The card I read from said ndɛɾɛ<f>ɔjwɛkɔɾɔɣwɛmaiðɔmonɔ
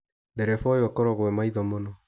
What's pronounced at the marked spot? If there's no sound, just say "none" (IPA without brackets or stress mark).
f